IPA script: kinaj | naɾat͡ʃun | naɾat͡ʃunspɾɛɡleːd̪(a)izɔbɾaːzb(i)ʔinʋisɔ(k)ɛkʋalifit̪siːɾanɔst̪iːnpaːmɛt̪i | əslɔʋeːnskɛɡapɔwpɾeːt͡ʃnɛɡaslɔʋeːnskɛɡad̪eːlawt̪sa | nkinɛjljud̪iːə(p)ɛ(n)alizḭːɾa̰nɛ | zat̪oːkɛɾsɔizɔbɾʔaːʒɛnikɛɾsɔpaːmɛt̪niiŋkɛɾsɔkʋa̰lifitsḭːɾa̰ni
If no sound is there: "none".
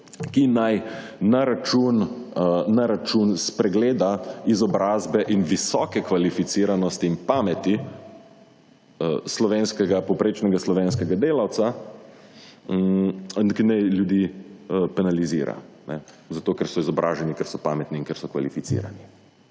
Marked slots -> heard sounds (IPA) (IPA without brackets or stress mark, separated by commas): a, ɛ, k, p, n